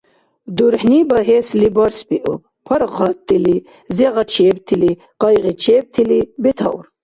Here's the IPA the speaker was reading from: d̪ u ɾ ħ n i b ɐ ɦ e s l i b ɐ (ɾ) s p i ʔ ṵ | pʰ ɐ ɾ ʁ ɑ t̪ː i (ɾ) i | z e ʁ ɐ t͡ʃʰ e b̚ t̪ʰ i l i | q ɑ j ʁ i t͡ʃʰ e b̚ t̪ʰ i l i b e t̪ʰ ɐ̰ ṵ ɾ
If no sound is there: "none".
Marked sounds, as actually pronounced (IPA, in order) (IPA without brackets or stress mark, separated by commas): ɾ, l